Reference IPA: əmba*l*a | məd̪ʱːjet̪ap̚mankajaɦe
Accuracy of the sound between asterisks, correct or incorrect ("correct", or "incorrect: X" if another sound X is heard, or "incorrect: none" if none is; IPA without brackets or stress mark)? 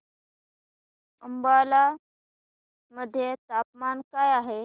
correct